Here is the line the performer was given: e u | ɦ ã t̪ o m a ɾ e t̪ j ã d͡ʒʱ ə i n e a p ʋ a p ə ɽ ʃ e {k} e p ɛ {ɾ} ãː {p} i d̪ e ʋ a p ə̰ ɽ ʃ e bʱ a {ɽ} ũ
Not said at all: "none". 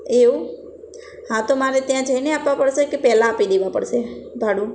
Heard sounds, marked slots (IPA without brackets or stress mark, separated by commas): k, l, p, ɽ